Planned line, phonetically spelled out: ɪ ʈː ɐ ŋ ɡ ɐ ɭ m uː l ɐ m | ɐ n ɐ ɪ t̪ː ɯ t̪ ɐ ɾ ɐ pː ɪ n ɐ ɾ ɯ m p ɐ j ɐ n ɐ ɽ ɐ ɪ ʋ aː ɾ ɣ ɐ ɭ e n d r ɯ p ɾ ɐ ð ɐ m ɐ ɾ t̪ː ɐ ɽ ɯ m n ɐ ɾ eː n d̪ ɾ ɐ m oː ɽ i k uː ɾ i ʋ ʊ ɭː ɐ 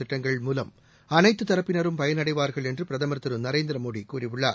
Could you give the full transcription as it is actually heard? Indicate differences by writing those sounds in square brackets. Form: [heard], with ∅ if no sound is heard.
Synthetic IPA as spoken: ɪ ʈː ɐ ŋ ɡ ɐ ɭ m uː l ɐ m | ɐ n ɐ ɪ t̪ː ɯ t̪ ɐ ɾ ɐ pː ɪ n ɐ ɾ ɯ m p ɐ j ɐ n ɐ ɽ ɐ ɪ ʋ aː ɾ ɣ ɐ ɭ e n d r ɯ p ɾ ɐ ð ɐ m ɐ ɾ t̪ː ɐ [ɾ] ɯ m n ɐ ɾ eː n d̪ ɾ ɐ m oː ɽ i k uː ɾ i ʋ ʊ ɭː ɐ